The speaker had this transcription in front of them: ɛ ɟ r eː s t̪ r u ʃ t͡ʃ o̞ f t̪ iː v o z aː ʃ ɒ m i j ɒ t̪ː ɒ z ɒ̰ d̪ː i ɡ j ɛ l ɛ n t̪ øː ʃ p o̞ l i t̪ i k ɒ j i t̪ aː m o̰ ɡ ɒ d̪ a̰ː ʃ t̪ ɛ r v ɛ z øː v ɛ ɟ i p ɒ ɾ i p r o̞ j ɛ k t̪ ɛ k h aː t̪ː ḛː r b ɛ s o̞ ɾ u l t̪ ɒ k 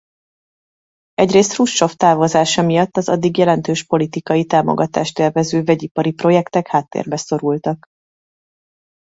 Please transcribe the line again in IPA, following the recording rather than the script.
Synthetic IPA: ɛ ɟ r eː s t̪ r u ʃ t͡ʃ o̞ f t̪ aː v o z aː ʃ ɒ m i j ɒ t̪ː ɒ z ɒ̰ d̪ː i ɡ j ɛ l ɛ n t̪ øː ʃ p o̞ l i t̪ i k ɒ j i t̪ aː m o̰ ɡ ɒ t̪ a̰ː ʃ t̪ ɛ r v ɛ z øː v ɛ ɟ i p ɒ ɾ i p r o̞ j ɛ k t̪ ɛ k h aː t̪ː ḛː r b ɛ s o̞ ɾ u l t̪ ɒ k